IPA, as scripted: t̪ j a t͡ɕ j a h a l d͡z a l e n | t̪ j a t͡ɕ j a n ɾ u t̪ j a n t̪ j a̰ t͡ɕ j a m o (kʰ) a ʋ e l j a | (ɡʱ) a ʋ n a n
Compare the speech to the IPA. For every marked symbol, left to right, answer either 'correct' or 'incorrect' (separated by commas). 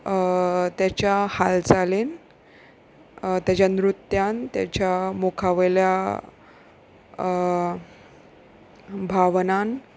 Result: correct, incorrect